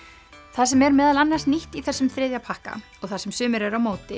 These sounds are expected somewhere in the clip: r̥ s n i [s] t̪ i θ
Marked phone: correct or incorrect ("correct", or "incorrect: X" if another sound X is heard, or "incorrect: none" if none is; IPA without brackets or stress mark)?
incorrect: h